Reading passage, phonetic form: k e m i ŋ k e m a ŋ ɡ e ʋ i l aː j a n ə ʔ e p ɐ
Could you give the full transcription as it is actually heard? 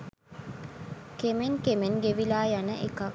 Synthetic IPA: k e m e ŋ k e m e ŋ ɡ e ʋ i l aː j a n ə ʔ e k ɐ